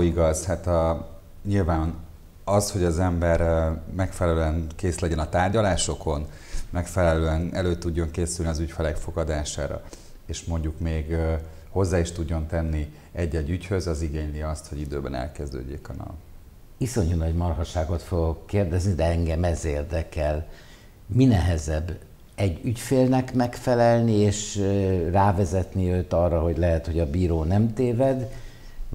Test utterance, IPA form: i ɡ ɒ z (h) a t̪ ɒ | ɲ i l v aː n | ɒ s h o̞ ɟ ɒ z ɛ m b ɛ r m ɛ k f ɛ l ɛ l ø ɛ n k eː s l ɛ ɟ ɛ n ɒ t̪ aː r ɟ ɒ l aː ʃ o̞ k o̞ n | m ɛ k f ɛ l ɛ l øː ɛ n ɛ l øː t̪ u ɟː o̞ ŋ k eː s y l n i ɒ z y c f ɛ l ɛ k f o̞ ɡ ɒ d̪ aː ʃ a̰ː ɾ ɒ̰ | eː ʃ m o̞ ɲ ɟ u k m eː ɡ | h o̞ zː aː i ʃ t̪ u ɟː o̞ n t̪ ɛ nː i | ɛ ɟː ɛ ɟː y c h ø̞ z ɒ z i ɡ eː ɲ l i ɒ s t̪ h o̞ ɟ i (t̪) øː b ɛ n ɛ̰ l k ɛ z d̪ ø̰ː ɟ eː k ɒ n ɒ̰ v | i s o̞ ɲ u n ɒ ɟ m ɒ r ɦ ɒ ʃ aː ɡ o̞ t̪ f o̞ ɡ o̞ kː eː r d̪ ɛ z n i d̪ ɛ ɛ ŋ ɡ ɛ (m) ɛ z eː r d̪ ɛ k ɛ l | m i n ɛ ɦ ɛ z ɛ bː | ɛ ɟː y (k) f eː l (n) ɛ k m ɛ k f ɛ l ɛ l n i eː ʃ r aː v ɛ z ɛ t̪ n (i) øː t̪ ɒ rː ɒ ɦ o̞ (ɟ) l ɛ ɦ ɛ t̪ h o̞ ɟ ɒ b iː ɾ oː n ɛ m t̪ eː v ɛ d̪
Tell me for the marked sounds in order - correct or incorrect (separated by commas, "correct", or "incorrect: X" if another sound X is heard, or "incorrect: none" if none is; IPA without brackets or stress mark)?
correct, incorrect: d̪, correct, incorrect: c, correct, correct, correct